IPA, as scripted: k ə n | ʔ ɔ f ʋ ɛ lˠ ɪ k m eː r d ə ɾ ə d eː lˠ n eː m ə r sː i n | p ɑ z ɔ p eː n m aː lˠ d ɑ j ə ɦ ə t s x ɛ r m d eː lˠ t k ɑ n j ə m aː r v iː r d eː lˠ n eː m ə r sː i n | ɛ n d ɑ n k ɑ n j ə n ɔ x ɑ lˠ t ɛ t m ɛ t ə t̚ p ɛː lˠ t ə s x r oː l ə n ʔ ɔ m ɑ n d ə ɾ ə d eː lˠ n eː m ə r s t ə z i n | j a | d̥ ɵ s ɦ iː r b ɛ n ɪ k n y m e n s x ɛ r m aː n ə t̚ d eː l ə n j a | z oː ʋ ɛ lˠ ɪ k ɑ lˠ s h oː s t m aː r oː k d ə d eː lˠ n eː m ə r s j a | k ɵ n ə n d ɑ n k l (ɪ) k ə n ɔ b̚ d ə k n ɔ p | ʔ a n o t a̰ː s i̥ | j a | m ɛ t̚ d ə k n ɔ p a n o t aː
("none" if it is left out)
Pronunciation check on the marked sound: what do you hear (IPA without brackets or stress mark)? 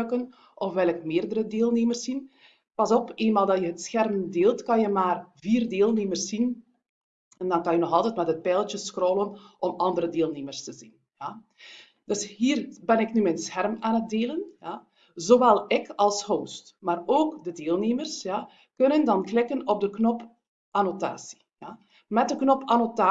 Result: ɪ